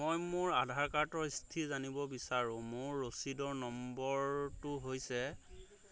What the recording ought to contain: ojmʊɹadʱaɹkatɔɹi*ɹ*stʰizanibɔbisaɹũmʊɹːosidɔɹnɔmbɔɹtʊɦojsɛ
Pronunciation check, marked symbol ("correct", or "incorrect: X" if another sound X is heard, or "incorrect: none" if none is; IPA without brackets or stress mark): incorrect: none